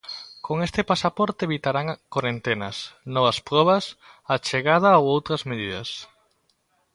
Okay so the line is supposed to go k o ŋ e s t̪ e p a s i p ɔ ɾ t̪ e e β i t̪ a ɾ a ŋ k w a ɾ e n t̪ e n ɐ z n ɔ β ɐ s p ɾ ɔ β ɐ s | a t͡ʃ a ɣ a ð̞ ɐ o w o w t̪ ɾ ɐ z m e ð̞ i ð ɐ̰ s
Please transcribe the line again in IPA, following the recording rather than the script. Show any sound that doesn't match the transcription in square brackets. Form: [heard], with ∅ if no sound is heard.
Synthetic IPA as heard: k o ŋ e s t̪ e p a s [a] p ɔ ɾ t̪ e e β i t̪ a ɾ a ŋ k w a ɾ e n t̪ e n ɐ [s] n ɔ β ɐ s p ɾ ɔ β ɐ s | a t͡ʃ [e] ɣ a ð̞ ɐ o w o w t̪ ɾ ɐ z m e ð̞ i ð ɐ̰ s